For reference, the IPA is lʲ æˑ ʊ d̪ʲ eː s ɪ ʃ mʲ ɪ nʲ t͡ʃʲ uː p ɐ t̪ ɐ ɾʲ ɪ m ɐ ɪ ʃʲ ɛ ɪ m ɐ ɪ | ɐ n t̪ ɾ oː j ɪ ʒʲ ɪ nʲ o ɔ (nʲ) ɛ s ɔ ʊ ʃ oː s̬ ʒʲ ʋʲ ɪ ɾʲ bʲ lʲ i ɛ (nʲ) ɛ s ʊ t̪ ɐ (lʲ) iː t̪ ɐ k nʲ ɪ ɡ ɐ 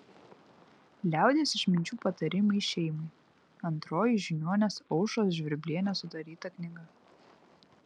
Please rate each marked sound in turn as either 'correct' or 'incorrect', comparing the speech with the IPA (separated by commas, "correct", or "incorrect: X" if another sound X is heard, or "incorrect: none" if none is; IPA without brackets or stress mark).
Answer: correct, correct, incorrect: ɾʲ